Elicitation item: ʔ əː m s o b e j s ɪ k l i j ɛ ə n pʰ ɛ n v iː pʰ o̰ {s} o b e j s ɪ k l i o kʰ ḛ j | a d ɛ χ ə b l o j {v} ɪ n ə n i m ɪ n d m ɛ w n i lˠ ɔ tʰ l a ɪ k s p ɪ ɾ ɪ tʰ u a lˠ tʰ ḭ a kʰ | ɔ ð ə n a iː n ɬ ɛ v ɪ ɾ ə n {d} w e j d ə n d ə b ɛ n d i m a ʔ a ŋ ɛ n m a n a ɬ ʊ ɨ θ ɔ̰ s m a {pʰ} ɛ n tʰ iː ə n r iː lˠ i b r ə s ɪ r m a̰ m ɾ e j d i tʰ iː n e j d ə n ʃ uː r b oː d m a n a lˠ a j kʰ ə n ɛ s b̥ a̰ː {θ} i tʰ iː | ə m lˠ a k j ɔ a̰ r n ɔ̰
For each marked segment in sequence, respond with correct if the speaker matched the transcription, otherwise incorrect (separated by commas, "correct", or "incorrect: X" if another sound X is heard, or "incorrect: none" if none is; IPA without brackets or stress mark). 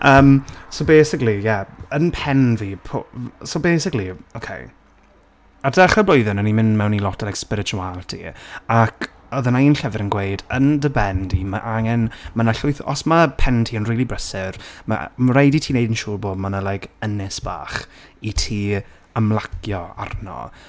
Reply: correct, incorrect: ð, incorrect: ɡ, correct, incorrect: χ